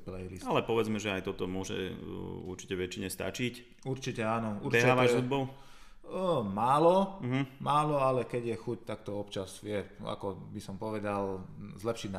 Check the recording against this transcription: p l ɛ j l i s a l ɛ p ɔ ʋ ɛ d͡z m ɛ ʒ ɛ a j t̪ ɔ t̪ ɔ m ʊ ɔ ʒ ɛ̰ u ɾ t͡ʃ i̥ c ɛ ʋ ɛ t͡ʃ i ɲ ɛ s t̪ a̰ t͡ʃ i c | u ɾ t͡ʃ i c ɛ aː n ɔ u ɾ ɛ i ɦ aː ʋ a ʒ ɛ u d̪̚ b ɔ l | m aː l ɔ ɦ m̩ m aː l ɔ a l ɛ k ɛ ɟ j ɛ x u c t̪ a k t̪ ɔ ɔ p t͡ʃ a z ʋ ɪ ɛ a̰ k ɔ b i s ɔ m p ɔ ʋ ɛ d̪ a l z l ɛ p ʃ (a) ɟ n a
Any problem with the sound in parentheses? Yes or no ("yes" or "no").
yes